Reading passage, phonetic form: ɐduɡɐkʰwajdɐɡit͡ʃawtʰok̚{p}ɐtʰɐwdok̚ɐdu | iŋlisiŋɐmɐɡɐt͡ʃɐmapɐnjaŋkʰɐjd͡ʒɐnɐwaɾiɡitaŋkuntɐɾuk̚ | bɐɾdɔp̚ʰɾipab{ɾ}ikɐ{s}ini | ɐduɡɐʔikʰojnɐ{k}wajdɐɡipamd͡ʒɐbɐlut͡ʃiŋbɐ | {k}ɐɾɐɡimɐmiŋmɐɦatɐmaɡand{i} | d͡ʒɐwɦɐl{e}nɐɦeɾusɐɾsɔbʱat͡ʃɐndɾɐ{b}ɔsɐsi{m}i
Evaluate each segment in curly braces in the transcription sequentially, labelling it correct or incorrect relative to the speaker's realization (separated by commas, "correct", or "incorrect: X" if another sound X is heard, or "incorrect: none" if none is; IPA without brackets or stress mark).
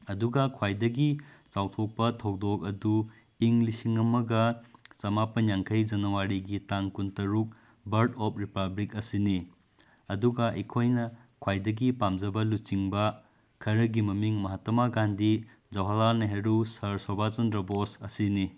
correct, incorrect: l, correct, incorrect: kʰ, incorrect: kʰ, correct, incorrect: a, correct, incorrect: n